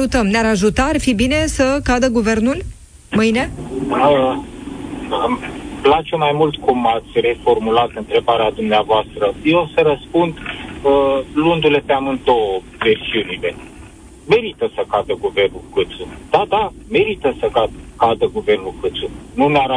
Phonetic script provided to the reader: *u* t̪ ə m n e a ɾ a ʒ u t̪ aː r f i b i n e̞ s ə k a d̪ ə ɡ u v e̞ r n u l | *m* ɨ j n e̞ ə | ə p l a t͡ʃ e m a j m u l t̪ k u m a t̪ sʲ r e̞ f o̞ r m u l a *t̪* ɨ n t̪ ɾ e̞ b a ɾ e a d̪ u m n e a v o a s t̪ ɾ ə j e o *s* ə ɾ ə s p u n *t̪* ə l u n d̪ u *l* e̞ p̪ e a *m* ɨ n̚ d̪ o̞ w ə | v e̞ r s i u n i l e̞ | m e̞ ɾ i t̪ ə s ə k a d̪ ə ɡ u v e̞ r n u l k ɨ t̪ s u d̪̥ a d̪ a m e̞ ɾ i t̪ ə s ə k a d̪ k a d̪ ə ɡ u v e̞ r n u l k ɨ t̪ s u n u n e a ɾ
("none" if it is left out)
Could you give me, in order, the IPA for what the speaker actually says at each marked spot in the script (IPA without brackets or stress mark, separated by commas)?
u, m, t̪, s, d̪, l, m